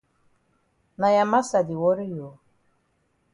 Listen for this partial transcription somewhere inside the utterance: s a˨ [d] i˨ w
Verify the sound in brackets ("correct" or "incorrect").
correct